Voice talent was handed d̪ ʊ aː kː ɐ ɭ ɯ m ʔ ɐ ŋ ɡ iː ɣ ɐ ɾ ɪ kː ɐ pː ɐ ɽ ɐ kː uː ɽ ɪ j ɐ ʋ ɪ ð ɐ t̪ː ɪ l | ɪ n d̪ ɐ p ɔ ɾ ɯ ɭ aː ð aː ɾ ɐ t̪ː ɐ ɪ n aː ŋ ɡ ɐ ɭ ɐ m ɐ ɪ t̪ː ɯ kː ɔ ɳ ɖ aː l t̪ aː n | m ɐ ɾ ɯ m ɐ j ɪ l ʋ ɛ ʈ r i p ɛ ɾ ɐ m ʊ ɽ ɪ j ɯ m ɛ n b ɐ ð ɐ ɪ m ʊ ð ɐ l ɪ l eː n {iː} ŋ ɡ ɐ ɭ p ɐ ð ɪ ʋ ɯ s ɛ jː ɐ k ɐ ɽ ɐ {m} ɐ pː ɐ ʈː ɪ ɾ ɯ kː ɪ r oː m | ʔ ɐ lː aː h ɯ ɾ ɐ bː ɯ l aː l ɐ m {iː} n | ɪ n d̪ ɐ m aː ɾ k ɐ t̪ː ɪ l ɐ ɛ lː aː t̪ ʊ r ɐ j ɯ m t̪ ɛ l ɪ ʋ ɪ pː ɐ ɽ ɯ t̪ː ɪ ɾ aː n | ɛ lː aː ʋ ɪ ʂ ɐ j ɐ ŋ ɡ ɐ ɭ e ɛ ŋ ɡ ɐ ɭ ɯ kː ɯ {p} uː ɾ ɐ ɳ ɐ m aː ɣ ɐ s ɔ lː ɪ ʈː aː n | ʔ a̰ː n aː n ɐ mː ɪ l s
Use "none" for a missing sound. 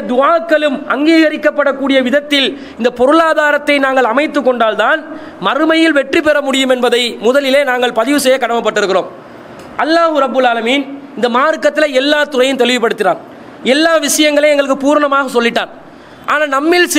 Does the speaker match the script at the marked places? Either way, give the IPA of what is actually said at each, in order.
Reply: aː, m, iː, p

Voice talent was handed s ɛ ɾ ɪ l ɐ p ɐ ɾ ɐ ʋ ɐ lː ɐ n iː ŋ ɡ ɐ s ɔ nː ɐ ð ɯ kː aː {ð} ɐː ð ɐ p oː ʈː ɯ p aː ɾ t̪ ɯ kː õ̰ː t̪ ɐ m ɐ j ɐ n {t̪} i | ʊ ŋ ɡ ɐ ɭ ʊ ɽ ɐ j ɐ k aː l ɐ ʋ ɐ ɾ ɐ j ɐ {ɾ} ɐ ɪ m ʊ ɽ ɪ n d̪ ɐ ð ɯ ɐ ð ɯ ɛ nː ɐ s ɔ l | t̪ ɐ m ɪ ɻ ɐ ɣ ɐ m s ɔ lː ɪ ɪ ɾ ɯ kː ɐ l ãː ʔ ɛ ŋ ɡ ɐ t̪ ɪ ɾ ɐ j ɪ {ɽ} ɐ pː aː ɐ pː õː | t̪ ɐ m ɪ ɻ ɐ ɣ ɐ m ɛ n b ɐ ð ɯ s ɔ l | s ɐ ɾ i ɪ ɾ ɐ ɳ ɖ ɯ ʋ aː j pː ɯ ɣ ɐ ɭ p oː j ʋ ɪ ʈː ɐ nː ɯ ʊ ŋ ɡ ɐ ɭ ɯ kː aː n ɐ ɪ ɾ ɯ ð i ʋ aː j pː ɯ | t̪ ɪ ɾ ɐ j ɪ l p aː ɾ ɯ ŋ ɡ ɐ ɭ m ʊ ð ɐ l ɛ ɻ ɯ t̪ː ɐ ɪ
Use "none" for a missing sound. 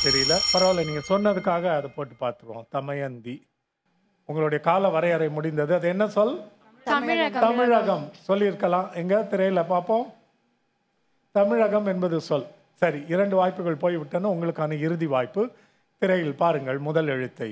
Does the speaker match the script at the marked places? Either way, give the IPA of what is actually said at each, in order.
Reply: ɣ, d̪, ɾ, l

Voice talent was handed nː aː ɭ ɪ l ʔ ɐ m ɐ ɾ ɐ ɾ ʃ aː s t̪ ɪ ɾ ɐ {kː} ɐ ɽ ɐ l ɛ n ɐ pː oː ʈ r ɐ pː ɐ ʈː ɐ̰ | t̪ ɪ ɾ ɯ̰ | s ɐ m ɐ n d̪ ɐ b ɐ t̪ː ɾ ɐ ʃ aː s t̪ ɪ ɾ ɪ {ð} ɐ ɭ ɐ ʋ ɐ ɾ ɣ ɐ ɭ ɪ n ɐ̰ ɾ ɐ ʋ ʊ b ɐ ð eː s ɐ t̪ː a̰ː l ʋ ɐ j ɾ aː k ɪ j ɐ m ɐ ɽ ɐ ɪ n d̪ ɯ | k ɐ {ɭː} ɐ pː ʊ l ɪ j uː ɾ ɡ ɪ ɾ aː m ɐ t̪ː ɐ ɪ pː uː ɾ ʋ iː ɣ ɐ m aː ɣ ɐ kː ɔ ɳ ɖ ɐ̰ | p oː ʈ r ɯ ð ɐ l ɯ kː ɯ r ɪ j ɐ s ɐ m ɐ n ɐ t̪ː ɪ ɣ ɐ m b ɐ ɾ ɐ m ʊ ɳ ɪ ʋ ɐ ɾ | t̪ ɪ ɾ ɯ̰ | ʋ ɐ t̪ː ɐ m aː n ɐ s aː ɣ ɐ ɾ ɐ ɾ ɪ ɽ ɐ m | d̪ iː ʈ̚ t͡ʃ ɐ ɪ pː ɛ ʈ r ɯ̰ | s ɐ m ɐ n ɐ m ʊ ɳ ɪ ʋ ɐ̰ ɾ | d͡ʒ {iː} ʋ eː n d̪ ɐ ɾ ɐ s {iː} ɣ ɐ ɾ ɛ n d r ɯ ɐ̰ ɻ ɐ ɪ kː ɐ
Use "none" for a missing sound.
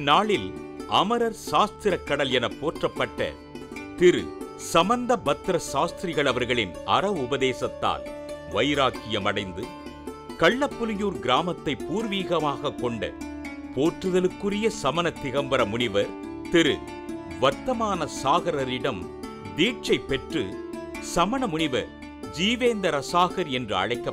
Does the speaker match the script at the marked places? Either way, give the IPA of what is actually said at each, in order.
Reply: kː, ɣ, ɭː, iː, aː

